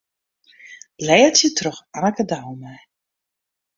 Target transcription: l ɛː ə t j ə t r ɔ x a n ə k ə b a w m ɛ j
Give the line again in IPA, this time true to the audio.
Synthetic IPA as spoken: l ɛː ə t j ə t r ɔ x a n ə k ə d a w m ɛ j